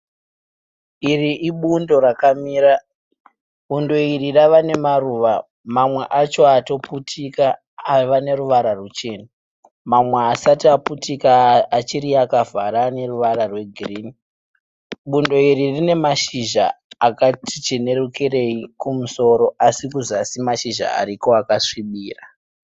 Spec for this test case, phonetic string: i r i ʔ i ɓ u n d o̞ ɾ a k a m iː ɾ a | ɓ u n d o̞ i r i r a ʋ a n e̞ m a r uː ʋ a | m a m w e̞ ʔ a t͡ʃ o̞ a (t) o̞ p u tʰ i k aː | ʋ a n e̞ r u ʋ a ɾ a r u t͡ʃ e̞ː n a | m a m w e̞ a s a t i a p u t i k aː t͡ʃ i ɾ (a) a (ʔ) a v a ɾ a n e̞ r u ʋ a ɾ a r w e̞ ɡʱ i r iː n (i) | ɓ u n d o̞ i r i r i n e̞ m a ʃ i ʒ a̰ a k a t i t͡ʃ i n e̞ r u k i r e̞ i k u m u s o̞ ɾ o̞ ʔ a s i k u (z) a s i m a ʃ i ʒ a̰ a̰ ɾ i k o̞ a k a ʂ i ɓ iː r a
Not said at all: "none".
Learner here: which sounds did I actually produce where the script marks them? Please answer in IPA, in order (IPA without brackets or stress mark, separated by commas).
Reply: t, i, k, i, z